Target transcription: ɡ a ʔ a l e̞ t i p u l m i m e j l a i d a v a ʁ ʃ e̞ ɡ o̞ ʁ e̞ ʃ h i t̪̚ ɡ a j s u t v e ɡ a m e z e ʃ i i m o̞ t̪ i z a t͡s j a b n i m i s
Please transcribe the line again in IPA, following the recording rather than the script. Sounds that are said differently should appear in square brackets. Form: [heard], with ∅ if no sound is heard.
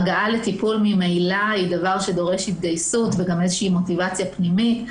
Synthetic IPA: ɡ a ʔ a l e̞ t i p u l m i m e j l a i d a v a ʁ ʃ e̞ [d] o̞ ʁ e̞ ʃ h i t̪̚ ɡ a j s u t v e ɡ a m e z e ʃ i i m o̞ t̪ i [v] a t͡s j a [p] n i m i [t]